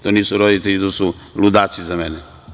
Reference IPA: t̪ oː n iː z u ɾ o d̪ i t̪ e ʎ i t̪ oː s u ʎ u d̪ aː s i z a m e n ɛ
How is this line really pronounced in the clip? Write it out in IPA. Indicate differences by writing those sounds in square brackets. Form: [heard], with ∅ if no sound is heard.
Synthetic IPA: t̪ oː n iː [s] u ɾ o d̪ i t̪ e ʎ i t̪ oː s u [l] u d̪ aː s i z a m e n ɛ